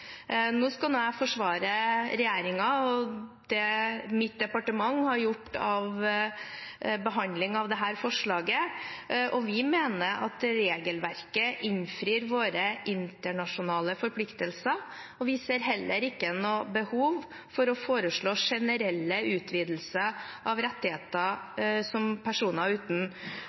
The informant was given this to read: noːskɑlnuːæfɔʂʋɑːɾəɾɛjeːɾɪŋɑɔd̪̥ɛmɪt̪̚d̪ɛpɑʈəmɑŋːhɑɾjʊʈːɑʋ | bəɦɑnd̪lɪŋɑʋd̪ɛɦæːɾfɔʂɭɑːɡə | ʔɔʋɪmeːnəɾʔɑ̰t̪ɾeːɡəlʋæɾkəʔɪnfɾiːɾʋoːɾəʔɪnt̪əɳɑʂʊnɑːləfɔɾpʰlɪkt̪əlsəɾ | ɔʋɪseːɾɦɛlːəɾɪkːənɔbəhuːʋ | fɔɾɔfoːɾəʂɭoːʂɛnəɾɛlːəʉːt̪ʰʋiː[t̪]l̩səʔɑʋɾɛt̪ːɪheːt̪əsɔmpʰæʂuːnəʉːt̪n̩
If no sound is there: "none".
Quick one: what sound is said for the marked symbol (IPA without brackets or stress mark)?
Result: d̪